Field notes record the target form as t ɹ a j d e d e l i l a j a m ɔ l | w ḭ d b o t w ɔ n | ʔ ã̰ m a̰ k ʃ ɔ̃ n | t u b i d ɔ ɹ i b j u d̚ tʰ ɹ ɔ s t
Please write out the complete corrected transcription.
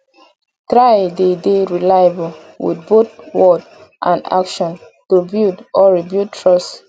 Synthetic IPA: t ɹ a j d e d e ɹ i l a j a b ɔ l | w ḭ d b o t w ɔ d | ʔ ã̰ n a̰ k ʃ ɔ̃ n | t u b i d ɔ ɹ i b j u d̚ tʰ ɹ ɔ s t